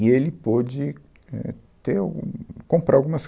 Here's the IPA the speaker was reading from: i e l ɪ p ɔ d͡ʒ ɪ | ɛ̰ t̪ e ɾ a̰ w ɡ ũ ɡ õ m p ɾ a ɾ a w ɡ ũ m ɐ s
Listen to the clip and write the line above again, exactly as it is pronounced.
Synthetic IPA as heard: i e l ɪ p ɔ d͡ʒ ɪ | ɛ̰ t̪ e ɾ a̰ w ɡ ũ k õ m p ɾ a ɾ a w ɡ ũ m ɐ s